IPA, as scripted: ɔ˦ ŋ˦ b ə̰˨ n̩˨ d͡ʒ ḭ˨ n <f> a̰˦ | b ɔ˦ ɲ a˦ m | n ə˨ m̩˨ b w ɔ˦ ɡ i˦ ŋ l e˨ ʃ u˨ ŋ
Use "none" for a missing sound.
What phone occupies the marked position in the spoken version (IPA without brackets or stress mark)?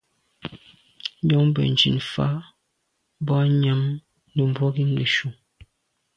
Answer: f